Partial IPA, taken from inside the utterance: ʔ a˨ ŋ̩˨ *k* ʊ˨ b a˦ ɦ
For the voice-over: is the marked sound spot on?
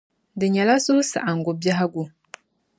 no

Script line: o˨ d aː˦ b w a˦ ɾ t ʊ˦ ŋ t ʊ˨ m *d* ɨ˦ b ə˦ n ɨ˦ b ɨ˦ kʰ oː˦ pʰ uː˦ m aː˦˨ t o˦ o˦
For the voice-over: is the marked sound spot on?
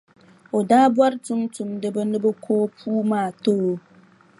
yes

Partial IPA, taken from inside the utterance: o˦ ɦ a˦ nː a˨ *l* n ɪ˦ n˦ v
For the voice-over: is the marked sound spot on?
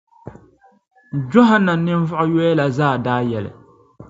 no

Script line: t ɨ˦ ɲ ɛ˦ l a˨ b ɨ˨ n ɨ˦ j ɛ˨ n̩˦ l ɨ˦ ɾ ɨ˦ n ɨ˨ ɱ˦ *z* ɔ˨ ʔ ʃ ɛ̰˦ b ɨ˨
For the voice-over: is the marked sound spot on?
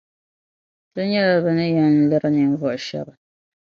no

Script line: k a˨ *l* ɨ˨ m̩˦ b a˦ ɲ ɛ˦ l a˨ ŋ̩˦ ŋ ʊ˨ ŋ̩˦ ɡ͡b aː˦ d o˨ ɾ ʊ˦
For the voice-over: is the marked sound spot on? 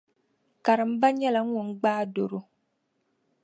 no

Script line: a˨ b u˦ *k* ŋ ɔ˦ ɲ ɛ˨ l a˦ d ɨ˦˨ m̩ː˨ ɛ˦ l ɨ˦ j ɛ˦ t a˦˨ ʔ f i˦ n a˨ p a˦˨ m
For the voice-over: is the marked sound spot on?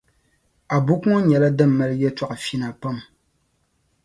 yes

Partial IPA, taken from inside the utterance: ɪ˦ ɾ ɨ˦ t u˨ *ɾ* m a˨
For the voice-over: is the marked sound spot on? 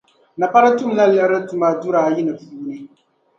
no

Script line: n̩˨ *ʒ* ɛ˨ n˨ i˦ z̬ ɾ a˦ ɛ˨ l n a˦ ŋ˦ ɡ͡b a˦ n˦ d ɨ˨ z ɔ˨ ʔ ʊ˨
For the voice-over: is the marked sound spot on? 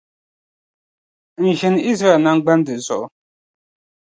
yes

